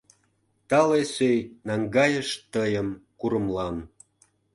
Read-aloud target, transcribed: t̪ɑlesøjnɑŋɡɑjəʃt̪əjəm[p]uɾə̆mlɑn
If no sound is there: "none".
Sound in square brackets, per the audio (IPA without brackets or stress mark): k